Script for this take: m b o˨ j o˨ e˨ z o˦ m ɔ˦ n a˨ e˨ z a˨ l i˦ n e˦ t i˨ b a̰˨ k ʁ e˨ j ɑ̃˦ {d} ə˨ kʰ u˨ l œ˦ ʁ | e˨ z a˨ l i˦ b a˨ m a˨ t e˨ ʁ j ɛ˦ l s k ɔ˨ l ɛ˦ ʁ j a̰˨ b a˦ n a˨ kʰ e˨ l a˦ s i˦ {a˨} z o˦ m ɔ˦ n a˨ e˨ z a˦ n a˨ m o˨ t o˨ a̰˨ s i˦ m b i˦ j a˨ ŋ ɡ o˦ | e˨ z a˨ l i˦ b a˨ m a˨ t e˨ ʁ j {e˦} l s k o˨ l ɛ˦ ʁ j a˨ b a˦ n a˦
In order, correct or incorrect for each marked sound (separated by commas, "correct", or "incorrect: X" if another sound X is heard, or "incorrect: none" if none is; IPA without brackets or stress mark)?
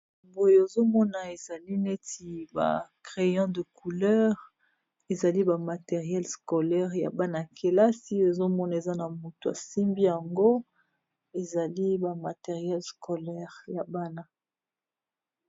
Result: correct, incorrect: e˨, incorrect: ɛ˦